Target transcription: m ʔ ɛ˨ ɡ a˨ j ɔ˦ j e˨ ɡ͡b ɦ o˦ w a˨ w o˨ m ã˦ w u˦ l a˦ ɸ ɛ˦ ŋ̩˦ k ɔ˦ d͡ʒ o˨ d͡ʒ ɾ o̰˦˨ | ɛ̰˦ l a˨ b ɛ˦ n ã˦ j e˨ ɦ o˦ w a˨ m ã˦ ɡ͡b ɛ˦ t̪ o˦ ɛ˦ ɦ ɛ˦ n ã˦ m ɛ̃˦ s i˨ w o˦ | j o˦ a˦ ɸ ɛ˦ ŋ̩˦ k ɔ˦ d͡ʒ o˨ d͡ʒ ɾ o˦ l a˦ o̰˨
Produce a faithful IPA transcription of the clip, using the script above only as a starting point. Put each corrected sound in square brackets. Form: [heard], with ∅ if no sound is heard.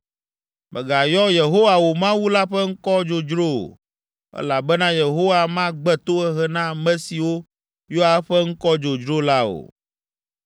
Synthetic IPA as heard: m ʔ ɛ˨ ɡ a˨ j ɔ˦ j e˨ [∅] ɦ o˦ w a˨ w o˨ m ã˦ w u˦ l a˦ ɸ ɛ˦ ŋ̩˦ k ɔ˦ d͡ʒ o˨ d͡ʒ ɾ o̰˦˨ | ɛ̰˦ l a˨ b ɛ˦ n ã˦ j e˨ ɦ o˦ w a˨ m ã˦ ɡ͡b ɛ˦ t̪ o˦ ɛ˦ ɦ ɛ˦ n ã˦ m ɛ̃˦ s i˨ w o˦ | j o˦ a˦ ɸ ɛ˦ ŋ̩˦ k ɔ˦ d͡ʒ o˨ d͡ʒ ɾ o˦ l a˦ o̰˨